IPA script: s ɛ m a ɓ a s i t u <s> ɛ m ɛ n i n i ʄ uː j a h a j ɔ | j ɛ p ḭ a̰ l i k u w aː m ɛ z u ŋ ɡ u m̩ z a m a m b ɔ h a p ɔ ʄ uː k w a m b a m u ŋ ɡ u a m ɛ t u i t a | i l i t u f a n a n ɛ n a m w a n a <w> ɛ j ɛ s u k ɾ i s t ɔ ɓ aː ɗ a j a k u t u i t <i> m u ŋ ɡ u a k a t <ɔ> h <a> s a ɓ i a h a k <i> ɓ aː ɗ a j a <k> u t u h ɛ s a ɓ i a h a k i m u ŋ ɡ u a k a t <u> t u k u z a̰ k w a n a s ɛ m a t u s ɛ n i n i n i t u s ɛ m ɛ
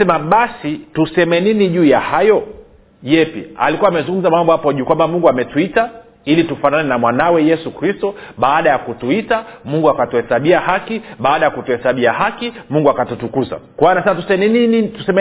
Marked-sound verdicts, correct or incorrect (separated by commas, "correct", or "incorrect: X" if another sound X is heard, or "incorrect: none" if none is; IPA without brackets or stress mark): correct, correct, incorrect: a, incorrect: u, incorrect: ɛ, correct, correct, correct